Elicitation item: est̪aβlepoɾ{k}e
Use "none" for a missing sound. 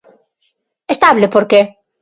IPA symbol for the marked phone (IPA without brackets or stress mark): k